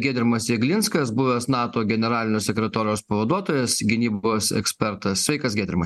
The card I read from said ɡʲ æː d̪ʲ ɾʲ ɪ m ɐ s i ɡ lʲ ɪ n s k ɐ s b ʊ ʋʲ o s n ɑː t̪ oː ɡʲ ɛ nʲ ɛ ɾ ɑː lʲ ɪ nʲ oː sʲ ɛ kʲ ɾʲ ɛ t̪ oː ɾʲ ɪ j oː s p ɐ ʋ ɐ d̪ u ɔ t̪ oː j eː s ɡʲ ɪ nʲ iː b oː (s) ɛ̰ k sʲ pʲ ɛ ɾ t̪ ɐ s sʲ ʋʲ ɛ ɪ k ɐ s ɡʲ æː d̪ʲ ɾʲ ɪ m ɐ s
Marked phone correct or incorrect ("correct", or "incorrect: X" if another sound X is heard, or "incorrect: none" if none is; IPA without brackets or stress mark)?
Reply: correct